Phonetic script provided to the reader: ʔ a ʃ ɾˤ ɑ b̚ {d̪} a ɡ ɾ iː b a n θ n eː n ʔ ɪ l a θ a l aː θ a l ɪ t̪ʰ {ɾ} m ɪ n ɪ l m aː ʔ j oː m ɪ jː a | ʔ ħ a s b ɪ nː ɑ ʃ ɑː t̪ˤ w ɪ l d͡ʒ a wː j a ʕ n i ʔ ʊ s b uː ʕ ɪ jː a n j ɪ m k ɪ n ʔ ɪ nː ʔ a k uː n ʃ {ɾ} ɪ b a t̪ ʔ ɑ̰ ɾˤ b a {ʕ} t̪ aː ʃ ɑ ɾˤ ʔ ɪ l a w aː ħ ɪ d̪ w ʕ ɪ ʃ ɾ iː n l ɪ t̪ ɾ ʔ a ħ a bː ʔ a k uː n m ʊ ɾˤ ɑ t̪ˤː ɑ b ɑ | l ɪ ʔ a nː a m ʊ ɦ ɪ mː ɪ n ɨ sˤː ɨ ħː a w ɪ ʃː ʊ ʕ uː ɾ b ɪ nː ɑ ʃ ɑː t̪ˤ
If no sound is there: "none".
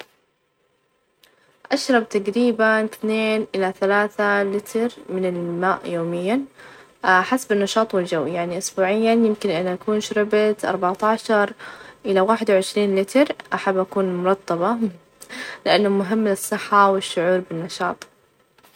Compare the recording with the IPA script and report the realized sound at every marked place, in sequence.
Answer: t̪, ɾ, ɾ, ʕ

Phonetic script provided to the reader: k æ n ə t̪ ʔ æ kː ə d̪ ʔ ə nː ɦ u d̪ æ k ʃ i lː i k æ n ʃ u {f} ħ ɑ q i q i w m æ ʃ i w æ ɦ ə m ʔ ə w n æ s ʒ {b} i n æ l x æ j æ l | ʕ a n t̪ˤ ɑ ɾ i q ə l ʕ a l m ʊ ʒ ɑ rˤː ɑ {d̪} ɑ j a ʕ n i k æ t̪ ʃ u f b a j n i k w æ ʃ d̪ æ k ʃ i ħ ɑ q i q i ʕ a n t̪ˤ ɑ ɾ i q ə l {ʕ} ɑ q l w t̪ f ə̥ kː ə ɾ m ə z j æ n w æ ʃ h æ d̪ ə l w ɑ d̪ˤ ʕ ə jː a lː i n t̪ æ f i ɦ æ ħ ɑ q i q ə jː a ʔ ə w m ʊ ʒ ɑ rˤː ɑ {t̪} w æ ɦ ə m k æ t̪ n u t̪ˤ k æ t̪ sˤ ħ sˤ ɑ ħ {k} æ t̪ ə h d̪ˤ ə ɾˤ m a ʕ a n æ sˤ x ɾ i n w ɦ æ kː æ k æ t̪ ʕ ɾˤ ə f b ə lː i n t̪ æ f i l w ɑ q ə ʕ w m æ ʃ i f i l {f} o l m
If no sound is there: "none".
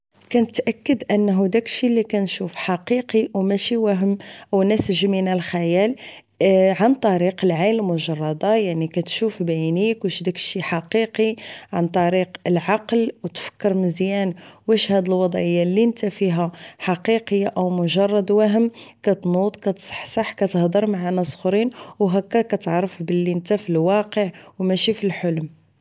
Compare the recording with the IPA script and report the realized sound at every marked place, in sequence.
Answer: f, m, d̪, ʕ, d̪, k, ħ

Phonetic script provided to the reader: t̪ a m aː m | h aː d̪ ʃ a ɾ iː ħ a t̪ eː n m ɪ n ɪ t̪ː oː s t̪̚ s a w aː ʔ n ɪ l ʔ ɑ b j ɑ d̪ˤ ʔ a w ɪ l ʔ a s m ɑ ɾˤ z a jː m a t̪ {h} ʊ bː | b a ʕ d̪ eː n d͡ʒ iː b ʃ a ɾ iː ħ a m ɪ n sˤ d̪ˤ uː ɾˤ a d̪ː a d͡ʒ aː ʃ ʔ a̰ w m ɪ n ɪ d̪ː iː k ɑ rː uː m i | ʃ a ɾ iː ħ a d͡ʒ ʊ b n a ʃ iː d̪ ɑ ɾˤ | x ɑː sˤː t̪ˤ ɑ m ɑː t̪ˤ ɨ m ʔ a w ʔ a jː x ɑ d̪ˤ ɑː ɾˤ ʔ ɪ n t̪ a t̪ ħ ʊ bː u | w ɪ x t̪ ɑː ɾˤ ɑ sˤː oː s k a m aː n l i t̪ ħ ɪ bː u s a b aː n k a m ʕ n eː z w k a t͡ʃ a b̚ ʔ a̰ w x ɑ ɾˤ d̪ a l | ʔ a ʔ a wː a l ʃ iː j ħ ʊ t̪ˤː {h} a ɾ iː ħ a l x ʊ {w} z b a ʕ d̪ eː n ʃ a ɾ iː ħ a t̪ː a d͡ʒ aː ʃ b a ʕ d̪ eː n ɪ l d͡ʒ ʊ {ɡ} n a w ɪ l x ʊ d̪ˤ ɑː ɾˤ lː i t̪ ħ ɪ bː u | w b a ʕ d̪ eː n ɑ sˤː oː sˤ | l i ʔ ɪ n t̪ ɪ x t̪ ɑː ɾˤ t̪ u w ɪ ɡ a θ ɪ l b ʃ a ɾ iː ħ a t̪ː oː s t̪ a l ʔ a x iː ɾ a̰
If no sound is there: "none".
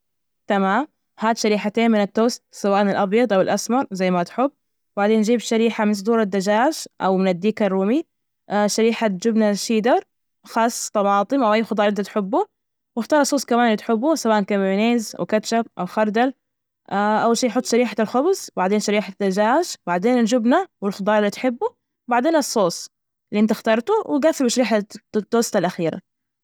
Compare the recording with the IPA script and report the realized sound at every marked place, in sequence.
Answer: ħ, ʃ, b, b

